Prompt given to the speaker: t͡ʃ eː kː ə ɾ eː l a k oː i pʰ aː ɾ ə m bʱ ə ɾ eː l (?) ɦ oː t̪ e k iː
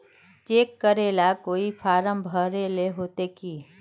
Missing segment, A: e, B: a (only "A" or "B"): A